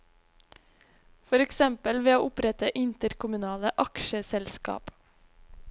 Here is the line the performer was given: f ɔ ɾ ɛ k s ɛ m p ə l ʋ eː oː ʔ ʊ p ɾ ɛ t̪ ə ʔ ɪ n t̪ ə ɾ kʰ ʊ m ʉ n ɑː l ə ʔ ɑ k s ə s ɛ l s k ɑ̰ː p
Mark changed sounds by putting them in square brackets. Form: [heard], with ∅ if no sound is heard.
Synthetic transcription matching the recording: f ɔ ɾ ɛ k s ɛ m p ə l ʋ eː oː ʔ ʊ p ɾ ɛ t̪ ə ʔ ɪ n t̪ ə ɾ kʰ ʊ m ʉ n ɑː l ə ʔ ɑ k [ʃ] ə s ɛ l s k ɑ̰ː p